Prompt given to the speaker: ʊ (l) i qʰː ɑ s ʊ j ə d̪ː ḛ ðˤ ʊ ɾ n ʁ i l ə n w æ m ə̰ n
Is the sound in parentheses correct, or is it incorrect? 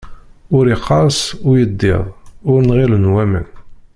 incorrect